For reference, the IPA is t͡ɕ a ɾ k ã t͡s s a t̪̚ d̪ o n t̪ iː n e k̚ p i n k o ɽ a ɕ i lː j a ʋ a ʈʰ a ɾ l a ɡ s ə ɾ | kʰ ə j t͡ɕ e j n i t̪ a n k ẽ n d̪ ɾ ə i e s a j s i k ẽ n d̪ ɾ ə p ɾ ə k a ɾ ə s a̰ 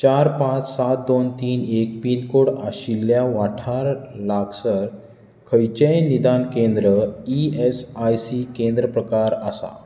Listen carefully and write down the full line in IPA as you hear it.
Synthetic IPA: t͡ɕ a ɾ p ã t͡s s a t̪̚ d̪ o n t̪ iː n e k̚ p i n k o ɽ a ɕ i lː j a ʋ a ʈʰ a ɾ l a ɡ s ə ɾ | kʰ ə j t͡ɕ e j n i d̪ a n k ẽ n d̪ ɾ ə i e s a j s i k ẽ n d̪ ɾ ə p ɾ ə k a ɾ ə s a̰